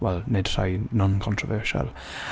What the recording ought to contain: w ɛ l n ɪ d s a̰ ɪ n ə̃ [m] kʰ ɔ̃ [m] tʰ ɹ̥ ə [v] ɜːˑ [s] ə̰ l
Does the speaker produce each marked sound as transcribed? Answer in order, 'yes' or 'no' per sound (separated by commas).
no, no, yes, no